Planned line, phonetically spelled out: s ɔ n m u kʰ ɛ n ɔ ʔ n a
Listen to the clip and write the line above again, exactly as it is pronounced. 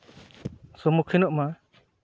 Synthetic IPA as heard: s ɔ m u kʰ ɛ n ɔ ʔ m a